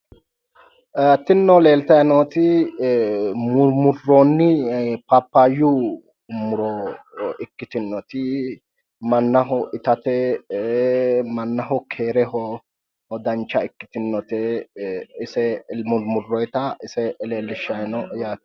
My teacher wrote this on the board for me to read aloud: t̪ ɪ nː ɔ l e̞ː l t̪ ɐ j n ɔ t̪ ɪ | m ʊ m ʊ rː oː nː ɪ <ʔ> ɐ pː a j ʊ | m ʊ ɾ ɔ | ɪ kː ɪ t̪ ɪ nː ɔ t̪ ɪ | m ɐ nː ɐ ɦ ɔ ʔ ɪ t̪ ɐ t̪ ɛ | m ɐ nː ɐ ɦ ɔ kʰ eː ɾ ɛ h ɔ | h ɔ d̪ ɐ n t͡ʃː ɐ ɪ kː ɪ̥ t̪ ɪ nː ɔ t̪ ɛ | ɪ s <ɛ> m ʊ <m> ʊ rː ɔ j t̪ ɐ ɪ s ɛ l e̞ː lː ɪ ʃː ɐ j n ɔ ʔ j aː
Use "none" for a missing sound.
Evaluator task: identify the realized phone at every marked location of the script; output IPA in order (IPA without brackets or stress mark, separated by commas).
p, ɛ, m